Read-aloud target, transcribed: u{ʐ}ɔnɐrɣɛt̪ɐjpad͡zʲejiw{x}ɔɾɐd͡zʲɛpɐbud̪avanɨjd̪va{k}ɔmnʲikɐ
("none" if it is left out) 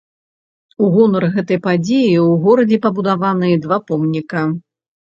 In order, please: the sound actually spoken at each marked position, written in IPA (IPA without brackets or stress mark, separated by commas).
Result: ɣ, ɣ, p